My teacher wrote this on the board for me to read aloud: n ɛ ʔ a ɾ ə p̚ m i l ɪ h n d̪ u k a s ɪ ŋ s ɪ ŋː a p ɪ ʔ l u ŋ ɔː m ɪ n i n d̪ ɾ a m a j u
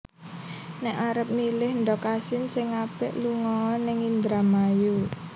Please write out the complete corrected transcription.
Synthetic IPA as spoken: n ɛ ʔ a ɾ ə p̚ m i l ɪ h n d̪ ɔ k a s ɪ n s ɪ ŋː a p ɪ ʔ l u ŋ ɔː n ɪ ŋ i n d̪ ɾ a m a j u